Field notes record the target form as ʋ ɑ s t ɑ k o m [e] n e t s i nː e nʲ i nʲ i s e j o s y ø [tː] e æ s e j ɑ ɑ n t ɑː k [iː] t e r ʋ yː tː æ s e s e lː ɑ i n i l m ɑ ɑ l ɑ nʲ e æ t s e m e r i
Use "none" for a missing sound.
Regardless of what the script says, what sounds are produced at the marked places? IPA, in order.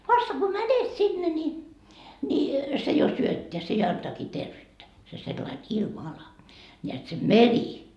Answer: æ, tː, iː

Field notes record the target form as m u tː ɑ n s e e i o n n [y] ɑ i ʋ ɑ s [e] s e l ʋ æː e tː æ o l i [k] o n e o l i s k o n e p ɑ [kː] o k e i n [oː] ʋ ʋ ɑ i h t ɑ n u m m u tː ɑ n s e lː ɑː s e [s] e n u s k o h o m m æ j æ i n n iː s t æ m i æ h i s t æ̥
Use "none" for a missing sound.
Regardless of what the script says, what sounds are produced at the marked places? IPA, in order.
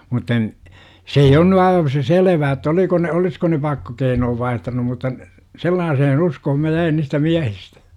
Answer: y, e, k, kː, oː, h

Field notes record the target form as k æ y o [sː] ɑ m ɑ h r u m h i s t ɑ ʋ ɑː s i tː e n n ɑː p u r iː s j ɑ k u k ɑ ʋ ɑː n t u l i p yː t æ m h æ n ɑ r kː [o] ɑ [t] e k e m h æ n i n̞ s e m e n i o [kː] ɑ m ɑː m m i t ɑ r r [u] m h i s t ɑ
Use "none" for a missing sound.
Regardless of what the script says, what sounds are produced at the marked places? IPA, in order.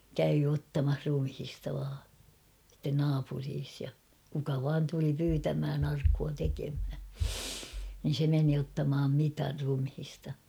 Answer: tː, u, t, tː, u

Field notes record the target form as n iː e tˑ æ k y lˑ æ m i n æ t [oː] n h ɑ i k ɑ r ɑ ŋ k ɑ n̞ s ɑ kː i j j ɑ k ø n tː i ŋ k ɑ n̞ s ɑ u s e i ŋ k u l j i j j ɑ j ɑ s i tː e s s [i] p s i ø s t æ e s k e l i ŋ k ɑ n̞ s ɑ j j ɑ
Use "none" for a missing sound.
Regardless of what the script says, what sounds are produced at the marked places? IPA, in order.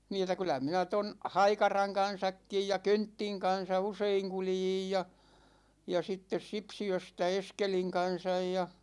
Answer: o, i

